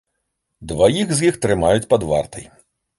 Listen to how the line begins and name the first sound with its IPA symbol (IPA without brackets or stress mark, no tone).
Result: d̪